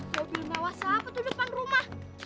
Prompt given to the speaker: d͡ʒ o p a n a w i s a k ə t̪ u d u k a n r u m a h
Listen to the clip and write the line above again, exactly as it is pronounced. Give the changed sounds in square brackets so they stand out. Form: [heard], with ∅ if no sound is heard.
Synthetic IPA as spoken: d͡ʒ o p [i] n a w [a] s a [p] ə t̪ u d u [p] a n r u m a h